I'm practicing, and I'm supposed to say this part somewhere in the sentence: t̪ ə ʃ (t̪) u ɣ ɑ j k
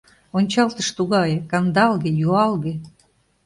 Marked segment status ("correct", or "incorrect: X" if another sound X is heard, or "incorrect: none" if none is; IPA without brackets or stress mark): correct